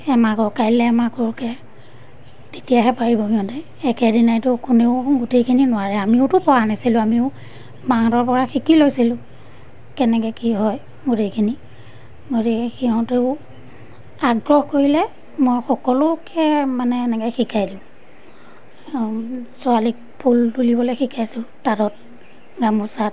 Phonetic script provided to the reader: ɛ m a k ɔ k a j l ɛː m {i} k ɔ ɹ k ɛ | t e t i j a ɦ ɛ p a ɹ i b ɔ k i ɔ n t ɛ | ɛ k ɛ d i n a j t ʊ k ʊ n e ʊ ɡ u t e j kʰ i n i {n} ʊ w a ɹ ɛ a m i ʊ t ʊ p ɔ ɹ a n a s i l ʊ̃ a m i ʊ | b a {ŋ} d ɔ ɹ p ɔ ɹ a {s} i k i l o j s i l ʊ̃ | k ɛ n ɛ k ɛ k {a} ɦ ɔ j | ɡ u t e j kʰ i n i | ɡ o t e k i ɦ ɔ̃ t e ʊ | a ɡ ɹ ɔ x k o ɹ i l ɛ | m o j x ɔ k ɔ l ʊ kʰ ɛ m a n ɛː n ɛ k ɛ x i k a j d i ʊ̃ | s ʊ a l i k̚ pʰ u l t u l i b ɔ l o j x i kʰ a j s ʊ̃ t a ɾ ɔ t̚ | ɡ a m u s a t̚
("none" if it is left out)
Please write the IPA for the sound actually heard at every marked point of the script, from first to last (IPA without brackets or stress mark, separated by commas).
a, n, ŋ, x, i